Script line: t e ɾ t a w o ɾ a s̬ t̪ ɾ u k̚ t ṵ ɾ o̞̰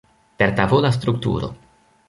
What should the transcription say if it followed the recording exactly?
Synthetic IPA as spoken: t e ɾ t a v o l a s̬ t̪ ɾ u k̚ t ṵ ɾ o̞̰